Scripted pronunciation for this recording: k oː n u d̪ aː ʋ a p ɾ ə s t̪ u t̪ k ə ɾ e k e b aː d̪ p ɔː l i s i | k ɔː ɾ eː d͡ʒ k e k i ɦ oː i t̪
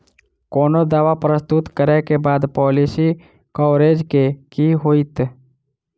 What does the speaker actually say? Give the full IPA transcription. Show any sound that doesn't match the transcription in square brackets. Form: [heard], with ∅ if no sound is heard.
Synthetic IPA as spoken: k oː n [o] d̪ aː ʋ a p ɾ ə s t̪ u t̪ k ə ɾ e k e b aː d̪ p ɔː l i s i | k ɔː ɾ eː d͡ʒ k e k i ɦ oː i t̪